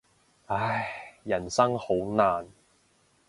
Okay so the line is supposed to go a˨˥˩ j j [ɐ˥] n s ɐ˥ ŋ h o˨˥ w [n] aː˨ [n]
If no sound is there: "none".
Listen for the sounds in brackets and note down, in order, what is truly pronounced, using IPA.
ɐ˨˩, n, n

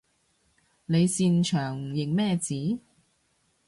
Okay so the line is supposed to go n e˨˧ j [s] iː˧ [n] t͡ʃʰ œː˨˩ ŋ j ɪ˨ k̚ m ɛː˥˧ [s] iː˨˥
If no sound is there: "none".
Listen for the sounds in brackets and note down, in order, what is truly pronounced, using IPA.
s, n, t͡s

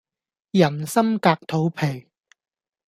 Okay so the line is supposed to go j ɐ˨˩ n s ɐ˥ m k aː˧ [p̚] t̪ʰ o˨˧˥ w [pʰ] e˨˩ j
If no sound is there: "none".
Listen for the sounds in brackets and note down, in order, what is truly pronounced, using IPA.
k̚, pʰ

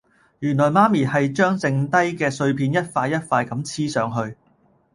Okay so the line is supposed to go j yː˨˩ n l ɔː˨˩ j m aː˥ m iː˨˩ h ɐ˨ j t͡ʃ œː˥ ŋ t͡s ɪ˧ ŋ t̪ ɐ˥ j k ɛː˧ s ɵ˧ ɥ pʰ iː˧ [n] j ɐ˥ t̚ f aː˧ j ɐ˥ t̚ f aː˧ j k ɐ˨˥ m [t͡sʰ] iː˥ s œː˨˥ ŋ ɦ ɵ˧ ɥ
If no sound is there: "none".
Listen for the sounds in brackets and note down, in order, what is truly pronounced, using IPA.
n, t͡sʰ

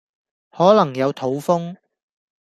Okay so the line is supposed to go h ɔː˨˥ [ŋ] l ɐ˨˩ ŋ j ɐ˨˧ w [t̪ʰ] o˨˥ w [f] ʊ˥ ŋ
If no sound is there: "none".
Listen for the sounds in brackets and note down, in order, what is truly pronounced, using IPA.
none, t̪ʰ, f

